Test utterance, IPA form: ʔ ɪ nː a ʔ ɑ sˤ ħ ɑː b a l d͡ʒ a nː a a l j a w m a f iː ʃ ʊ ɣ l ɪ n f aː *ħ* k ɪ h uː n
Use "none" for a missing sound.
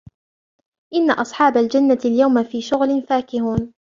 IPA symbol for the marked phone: none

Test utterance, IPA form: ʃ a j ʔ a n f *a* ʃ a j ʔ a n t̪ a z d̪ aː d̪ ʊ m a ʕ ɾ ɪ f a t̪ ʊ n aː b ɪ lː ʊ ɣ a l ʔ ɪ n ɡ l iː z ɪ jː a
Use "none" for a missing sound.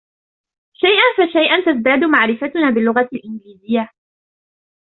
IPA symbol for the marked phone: a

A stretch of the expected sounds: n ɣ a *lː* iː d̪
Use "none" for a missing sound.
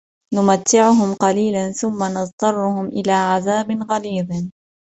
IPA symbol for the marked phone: l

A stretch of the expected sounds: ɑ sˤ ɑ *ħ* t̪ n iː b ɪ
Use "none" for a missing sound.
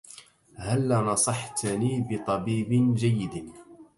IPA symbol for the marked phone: ħ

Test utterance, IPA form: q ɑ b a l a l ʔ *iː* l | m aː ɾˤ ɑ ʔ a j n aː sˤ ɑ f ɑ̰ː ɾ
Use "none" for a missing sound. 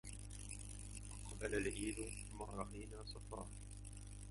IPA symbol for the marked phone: iː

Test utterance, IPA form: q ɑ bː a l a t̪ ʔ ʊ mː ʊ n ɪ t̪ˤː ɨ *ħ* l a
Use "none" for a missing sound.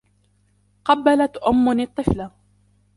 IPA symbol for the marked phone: f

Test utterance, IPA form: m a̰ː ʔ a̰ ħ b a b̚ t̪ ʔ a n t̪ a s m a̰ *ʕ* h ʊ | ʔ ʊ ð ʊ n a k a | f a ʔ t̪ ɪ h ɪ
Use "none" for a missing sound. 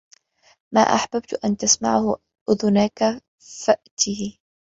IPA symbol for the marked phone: ʕ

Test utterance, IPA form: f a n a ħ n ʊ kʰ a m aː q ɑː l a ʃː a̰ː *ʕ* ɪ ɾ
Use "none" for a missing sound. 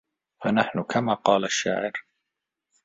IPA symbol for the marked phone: ʕ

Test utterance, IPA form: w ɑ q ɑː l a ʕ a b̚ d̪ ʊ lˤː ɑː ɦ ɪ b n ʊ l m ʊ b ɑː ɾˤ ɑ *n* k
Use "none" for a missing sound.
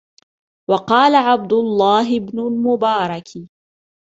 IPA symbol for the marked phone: none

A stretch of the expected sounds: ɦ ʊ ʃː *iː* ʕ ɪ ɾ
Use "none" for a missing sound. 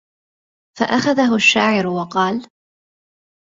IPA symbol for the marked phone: aː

